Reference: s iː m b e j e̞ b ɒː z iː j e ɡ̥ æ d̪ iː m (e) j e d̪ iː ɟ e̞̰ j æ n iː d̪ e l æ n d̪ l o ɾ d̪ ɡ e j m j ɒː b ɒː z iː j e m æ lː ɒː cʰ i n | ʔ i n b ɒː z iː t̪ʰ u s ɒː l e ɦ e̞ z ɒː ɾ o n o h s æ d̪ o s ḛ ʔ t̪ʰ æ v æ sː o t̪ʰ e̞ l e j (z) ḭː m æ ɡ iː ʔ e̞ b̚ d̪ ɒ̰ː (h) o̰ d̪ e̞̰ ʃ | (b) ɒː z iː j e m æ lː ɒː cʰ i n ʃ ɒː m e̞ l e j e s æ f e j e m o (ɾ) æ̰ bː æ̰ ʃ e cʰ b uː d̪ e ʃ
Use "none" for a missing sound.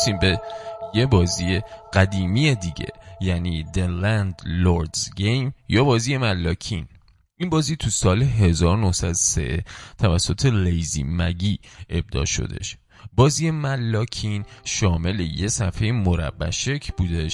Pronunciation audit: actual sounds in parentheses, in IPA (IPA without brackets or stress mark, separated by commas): i, z, ʃ, b, ɾ